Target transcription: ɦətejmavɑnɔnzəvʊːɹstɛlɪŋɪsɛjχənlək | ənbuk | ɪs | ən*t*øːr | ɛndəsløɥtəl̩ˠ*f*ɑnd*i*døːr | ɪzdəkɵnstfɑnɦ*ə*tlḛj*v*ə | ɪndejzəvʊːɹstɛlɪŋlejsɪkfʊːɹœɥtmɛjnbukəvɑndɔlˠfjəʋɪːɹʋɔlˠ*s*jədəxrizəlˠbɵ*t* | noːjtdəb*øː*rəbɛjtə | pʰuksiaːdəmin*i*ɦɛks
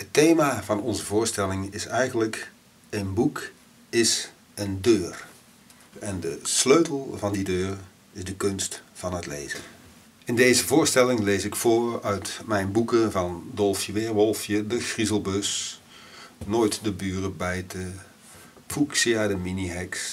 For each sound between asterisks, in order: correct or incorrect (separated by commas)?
incorrect, incorrect, correct, correct, incorrect, incorrect, incorrect, incorrect, correct